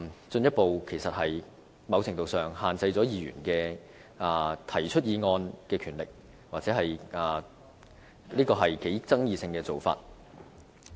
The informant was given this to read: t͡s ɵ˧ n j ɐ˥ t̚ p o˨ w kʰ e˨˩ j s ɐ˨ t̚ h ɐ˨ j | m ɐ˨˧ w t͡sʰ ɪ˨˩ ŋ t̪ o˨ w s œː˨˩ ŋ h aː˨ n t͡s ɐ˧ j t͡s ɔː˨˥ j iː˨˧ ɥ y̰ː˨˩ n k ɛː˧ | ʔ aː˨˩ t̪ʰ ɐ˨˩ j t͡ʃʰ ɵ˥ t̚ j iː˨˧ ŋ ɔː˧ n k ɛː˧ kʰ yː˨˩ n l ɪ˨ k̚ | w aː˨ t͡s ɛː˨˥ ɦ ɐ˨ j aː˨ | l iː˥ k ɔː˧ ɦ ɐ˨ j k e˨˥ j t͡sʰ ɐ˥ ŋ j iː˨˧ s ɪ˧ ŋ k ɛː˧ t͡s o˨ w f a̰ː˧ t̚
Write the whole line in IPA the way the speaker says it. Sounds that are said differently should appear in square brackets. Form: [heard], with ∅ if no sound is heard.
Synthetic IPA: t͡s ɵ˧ n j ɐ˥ t̚ p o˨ w kʰ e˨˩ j s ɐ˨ t̚ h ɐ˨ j | m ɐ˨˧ w t͡sʰ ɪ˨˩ ŋ t̪ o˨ w s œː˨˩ ŋ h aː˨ n t͡s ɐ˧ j t͡s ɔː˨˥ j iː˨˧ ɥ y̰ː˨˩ n k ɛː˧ | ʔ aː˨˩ t̪ʰ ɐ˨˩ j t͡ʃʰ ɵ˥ t̚ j iː˨˧ ŋ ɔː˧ n k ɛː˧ kʰ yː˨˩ n l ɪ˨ k̚ | w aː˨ t͡s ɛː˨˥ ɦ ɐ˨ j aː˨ | l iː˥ k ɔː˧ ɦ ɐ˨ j k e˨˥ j [t͡s] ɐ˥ ŋ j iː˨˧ s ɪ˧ ŋ k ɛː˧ t͡s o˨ w f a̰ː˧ t̚

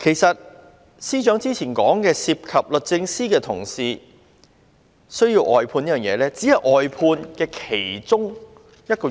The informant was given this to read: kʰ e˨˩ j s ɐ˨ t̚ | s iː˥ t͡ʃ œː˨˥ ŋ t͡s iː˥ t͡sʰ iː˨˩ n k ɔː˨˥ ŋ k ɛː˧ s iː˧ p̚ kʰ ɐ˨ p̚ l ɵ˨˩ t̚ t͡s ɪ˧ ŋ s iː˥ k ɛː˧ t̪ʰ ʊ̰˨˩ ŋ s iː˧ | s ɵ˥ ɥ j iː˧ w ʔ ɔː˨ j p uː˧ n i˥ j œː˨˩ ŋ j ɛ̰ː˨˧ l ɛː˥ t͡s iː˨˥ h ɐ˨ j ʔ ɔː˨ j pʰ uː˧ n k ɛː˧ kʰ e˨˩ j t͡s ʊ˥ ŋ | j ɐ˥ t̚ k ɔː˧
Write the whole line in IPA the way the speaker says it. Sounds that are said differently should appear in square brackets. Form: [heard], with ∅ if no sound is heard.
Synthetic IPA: kʰ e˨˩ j s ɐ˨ t̚ | s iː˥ t͡ʃ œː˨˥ ŋ t͡s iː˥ t͡sʰ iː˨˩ n k ɔː˨˥ ŋ k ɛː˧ s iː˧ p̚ kʰ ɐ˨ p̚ l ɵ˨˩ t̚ t͡s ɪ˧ ŋ s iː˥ k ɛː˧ t̪ʰ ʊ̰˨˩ ŋ s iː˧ | s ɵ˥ ɥ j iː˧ w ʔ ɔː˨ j [pʰ] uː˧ n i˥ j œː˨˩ ŋ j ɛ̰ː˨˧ l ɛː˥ t͡s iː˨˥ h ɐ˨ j ʔ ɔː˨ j pʰ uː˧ n k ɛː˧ kʰ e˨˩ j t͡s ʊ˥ ŋ | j ɐ˥ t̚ k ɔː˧

